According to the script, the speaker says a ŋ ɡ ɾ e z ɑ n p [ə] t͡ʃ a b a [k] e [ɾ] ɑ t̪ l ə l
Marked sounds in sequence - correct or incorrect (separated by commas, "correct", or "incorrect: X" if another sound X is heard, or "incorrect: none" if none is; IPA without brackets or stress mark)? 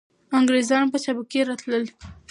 correct, correct, correct